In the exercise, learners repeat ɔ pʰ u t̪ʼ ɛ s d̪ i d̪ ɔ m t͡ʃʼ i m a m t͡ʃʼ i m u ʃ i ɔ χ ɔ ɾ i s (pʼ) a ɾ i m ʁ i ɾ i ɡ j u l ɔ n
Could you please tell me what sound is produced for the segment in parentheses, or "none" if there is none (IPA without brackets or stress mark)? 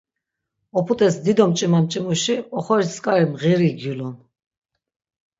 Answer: kʼ